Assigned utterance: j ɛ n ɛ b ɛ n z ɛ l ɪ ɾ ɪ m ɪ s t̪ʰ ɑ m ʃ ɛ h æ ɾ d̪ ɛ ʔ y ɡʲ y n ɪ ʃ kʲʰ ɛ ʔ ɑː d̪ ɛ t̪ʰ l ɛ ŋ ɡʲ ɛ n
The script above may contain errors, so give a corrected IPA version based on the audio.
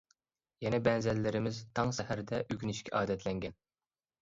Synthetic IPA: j ɛ n ɛ b ɛ n z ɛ lː ɪ ɾ ɪ m ɪ z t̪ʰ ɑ ŋ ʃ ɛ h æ ɾ d̪ ɛ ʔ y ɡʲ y n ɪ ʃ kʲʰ ɛ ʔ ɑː d̪ ɛ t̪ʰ l ɛ ŋ ɡʲ ɛ n